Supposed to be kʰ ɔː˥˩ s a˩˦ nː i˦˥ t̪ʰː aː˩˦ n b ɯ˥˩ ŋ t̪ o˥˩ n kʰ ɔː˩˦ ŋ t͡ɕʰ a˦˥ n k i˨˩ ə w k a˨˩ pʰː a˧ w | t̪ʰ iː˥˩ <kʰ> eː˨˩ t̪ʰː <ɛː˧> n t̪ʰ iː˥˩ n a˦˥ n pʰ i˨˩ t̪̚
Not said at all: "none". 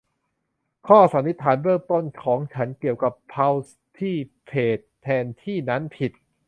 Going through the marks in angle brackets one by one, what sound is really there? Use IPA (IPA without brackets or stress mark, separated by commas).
pʰ, ɛː˧